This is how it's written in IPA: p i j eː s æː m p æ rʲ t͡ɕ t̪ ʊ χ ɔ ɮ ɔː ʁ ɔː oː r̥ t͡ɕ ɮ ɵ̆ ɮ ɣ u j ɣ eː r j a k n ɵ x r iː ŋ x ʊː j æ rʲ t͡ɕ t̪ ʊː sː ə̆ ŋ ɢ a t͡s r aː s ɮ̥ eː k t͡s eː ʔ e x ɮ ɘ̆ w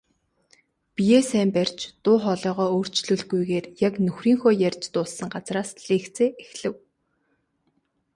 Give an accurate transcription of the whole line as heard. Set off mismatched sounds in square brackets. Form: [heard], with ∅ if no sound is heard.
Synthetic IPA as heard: p i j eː s æː m p æ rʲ t͡ɕ t̪ [ʊː] χ ɔ ɮ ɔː ʁ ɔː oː r̥ t͡ɕ ɮ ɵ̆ ɮ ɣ u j ɣ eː r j a k n ɵ x r iː ŋ x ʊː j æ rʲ t͡ɕ t̪ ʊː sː ə̆ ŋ ɢ a t͡s r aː s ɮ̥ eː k t͡s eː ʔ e x ɮ ɘ̆ w